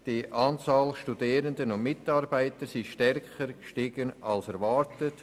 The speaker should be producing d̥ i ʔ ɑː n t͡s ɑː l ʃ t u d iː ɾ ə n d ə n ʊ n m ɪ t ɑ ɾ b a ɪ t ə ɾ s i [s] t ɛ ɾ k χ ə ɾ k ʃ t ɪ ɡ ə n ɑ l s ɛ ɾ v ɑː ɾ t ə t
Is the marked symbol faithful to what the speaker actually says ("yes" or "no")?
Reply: no